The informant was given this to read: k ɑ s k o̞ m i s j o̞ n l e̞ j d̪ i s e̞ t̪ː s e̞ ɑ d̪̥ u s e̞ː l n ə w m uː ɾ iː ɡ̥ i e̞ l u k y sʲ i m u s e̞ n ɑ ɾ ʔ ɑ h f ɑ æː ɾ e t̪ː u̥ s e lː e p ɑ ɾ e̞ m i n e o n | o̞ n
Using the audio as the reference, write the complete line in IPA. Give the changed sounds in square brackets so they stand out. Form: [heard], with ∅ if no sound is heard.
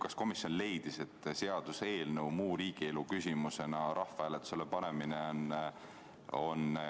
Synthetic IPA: k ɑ s k o̞ m i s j o̞ n l e̞ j d̪ i s e̞ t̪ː s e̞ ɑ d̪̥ u s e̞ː l n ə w m uː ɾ iː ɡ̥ i e̞ l u k y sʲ i m u s e̞ n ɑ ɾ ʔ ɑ h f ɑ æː [l] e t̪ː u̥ s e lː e p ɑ ɾ e̞ m i n e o n | o̞ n